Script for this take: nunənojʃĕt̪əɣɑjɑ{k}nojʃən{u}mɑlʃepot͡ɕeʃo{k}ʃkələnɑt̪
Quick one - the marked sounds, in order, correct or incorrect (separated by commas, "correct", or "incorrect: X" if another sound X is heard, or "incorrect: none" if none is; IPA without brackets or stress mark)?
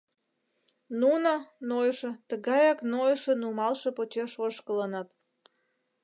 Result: correct, correct, incorrect: none